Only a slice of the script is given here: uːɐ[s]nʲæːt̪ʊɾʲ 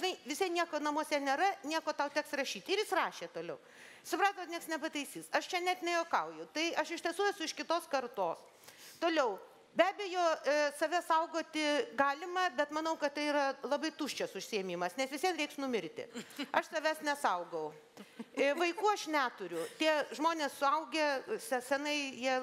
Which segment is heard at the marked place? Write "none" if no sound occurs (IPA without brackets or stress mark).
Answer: ʃ